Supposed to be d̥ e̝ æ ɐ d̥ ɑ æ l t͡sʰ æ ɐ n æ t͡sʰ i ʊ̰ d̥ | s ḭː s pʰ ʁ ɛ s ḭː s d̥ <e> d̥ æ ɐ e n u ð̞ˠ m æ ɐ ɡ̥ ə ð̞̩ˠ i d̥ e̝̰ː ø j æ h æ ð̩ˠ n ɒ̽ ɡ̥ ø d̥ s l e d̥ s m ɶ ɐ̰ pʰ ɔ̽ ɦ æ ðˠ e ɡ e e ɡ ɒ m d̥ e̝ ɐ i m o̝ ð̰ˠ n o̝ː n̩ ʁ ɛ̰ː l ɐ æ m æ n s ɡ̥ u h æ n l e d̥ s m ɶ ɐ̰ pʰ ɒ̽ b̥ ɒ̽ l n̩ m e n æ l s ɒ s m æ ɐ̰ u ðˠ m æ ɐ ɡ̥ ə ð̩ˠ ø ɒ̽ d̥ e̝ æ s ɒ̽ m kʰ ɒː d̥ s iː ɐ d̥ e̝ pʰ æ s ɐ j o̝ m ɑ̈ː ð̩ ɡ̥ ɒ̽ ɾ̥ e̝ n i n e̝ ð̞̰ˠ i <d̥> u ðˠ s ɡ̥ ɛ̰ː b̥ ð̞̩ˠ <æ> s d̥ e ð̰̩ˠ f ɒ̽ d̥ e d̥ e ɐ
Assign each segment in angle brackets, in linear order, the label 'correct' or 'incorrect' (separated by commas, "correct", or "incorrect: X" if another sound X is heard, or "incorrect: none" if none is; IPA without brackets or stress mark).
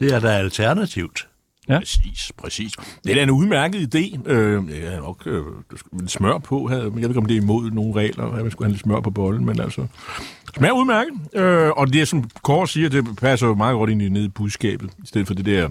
correct, incorrect: b̥, incorrect: i